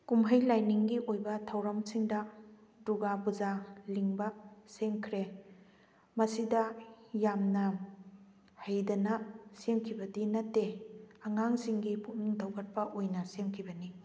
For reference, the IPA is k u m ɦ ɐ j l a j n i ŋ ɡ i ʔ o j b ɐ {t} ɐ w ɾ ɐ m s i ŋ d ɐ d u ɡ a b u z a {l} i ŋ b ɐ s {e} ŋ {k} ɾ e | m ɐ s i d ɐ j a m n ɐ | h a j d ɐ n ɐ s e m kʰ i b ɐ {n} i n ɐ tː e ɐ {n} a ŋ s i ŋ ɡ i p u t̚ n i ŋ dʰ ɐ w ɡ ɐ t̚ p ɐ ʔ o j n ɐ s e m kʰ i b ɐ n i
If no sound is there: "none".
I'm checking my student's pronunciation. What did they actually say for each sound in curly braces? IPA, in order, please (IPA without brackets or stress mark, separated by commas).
tʰ, l, e, kʰ, d, ŋ